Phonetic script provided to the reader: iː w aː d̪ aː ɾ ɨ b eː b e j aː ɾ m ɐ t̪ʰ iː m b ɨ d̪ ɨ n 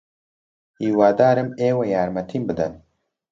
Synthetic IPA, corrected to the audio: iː w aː d̪ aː ɾ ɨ m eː w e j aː ɾ m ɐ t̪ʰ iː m b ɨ d̪ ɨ n